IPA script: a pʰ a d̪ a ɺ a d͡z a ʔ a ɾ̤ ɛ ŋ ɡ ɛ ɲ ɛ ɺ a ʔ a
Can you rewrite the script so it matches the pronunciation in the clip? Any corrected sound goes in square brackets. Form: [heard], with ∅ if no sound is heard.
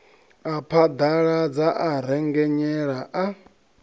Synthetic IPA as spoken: a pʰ a d̪ a ɺ a d͡z a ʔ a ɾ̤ ɛ ŋ ɡ ɛ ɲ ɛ ɺ a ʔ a